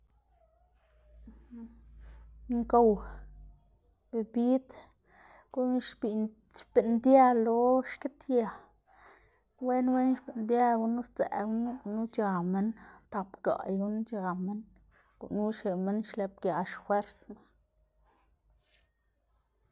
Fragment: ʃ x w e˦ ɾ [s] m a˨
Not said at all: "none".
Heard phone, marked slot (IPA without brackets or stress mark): s